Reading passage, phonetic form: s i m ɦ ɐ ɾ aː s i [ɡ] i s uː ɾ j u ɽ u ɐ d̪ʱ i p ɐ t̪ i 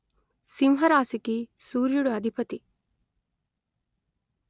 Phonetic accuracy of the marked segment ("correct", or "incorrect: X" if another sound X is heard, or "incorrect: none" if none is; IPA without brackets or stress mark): incorrect: k